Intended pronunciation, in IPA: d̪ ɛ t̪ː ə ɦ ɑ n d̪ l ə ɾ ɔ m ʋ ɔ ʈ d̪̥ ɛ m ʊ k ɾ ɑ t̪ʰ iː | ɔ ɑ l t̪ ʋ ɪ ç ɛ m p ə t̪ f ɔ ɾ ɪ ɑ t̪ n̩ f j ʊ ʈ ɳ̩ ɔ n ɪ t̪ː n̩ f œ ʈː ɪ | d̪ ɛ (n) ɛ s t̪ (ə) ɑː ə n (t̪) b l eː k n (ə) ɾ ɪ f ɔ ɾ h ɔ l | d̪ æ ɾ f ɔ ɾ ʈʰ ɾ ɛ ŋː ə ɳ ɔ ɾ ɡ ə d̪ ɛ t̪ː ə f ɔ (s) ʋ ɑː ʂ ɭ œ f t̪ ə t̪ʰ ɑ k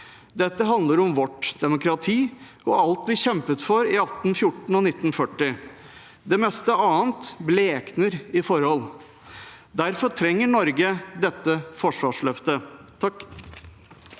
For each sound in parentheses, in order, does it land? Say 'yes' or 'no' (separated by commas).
no, yes, yes, yes, no